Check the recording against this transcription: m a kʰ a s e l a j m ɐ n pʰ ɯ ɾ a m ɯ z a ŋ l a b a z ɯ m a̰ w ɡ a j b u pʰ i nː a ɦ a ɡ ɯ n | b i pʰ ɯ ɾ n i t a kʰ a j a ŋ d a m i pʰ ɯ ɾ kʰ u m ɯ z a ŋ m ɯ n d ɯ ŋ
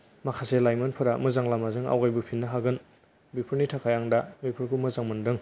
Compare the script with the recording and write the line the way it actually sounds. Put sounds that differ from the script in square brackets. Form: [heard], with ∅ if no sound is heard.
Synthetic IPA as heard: m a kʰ a s e l a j m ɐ n pʰ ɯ ɾ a m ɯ z a ŋ l a [m] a z ɯ [ŋ] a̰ w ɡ a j b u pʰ i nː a ɦ a ɡ ɯ n | b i pʰ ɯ ɾ n i [tʰ] a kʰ a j a ŋ d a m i pʰ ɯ ɾ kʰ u m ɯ z a ŋ m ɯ n d ɯ ŋ